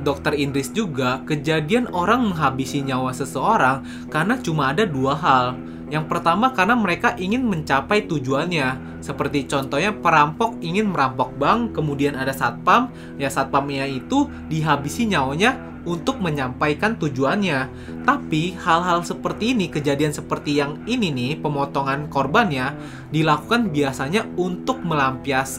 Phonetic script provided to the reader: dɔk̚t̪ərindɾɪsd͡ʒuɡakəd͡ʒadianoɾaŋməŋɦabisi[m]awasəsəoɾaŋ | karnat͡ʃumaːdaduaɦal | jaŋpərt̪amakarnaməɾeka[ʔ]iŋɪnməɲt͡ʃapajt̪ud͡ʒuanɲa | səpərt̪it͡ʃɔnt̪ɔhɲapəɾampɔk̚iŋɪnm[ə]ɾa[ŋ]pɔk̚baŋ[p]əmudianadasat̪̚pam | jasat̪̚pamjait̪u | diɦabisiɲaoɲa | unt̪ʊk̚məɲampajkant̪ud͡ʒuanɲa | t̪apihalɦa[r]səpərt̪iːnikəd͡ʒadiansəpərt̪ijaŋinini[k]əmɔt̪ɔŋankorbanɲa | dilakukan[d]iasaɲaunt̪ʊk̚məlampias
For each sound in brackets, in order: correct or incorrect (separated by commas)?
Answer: incorrect, correct, correct, incorrect, incorrect, incorrect, incorrect, incorrect